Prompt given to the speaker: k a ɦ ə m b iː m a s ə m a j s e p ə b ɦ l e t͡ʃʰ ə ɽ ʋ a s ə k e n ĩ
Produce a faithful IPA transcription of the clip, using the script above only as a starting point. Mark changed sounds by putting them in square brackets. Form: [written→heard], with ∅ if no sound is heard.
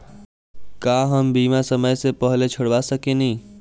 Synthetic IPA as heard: k a ɦ ə m b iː m a s ə m [a→ə] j s e p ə [b→∅] ɦ l e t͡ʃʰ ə ɽ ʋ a s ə k e n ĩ